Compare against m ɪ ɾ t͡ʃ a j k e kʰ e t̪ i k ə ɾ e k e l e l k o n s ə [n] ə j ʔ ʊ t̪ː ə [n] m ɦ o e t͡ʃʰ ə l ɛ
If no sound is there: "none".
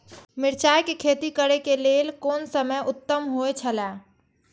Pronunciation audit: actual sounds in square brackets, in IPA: m, none

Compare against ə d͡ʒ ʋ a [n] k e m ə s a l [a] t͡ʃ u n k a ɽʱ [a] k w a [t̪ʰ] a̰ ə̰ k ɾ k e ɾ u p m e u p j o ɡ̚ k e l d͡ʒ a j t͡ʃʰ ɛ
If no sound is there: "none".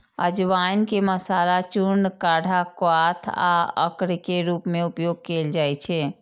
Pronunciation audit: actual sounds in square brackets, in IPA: n, a, a, t̪ʰ

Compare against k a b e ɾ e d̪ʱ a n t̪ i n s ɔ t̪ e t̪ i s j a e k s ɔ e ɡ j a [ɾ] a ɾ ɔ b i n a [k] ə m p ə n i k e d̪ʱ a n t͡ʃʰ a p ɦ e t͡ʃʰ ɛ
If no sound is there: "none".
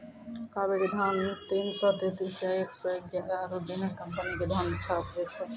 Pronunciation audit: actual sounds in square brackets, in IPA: ɾ, k

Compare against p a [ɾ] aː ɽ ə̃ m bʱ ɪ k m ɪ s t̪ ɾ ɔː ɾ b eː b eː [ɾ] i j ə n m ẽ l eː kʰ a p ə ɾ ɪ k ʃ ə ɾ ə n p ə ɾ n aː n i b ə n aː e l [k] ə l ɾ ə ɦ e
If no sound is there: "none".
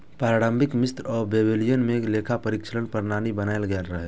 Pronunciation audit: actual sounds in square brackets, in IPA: ɾ, l, ɡ

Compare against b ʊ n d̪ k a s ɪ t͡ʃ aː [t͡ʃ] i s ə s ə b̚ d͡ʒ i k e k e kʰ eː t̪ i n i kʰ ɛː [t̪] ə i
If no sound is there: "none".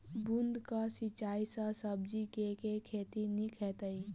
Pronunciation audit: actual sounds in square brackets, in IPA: none, t̪

